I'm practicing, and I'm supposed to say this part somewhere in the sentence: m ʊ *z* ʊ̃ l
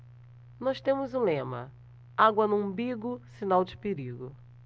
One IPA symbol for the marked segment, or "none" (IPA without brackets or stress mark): z